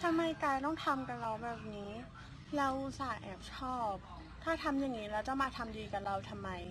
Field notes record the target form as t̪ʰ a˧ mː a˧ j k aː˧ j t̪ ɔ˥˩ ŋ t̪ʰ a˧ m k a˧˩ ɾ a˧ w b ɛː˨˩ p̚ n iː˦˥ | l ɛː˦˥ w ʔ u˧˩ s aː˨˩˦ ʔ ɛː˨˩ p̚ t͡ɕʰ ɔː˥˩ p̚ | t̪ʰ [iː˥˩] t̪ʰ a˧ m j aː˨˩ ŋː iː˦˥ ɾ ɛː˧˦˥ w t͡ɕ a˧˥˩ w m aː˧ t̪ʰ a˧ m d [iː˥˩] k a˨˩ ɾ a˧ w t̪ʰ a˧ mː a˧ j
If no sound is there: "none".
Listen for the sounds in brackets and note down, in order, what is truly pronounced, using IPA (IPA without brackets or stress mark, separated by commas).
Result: aː˥˩, iː˧